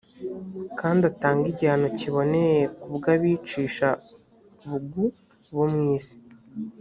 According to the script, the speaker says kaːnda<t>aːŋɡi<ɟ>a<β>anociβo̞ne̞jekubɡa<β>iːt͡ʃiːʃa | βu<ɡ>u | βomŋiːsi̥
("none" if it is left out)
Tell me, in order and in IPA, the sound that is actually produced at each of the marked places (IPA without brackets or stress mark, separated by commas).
t, ɟ, none, β, ɡ